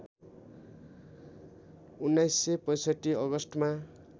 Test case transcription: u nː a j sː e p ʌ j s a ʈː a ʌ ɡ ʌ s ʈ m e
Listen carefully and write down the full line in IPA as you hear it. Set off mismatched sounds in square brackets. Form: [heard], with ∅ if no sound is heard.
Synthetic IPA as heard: u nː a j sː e p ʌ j s [ʌ] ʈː [i] ʌ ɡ ʌ s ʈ m [a]